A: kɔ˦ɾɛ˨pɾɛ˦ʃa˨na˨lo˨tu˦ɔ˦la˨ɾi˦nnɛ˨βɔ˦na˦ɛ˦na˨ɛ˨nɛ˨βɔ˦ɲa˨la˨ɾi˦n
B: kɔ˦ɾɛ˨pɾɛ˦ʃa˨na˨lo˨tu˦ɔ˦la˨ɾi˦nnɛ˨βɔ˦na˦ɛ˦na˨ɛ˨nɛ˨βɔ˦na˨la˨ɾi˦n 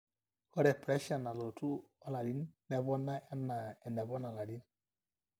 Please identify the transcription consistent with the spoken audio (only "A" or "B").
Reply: B